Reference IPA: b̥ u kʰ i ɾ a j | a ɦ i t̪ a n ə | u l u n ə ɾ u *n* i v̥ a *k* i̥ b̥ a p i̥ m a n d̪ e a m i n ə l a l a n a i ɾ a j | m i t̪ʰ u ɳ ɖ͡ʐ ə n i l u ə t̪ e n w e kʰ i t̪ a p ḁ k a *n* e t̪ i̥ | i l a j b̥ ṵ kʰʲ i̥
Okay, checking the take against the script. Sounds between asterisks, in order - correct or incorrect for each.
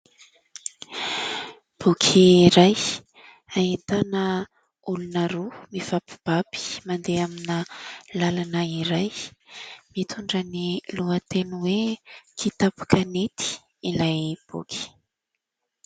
incorrect: m, incorrect: p, correct

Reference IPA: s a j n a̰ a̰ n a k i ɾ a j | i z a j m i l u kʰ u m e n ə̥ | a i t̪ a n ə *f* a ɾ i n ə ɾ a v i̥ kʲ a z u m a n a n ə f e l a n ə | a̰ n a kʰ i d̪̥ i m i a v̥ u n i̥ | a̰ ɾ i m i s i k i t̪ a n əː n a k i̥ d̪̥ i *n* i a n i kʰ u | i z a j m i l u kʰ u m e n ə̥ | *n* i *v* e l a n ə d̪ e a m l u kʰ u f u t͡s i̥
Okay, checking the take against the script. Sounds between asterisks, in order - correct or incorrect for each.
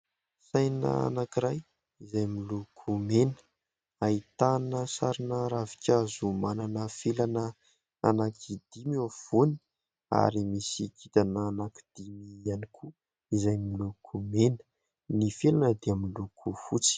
incorrect: s, incorrect: m, correct, incorrect: f

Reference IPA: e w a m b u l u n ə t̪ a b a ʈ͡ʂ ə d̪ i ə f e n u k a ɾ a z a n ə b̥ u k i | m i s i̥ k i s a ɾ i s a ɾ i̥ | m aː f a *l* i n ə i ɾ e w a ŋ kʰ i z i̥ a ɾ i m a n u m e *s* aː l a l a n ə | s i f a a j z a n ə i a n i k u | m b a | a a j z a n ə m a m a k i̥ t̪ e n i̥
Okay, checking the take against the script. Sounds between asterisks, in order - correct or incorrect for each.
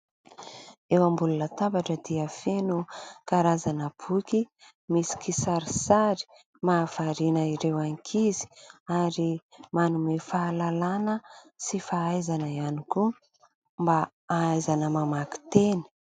incorrect: ɾ, incorrect: f

